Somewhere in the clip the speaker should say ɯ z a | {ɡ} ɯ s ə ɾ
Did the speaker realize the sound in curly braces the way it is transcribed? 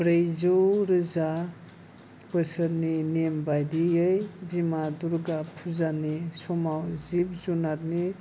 no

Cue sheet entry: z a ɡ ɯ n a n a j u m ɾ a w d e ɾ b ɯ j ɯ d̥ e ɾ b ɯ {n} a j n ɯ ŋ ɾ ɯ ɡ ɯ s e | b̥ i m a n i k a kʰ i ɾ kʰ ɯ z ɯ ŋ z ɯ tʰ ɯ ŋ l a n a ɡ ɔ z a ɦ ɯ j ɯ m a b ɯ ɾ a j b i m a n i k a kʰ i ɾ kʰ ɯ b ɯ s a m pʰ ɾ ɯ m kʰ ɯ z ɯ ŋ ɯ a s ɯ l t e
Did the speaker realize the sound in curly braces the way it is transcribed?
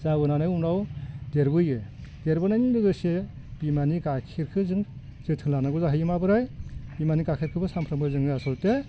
yes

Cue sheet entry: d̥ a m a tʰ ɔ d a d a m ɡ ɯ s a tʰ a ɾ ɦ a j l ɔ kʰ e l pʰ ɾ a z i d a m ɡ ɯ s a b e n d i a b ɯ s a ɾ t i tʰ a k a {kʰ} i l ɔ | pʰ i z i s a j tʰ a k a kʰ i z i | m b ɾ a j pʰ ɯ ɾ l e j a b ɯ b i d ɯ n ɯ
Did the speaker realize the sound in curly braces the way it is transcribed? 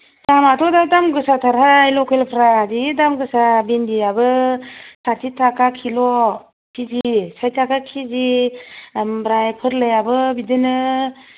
yes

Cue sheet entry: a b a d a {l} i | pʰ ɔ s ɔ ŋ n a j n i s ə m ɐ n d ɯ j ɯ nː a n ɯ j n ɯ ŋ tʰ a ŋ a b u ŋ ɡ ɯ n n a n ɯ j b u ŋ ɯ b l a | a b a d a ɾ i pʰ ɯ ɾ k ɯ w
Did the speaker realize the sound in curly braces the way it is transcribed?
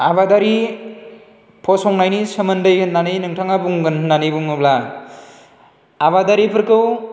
no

